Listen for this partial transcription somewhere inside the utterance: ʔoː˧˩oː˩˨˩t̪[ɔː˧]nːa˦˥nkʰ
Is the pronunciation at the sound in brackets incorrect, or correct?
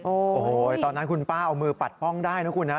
correct